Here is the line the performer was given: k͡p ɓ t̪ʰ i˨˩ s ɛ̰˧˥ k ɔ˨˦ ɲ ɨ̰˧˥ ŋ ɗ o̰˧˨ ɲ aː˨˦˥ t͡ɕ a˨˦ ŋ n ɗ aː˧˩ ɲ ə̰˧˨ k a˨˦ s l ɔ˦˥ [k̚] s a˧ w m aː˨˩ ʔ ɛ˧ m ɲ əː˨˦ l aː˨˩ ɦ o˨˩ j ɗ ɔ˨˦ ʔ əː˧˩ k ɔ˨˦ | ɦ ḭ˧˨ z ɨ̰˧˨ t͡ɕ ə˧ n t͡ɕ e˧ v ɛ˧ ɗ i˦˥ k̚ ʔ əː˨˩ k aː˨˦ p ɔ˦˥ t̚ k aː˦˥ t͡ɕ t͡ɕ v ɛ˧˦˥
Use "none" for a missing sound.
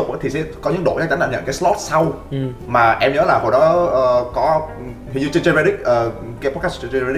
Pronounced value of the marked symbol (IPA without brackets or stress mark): t̚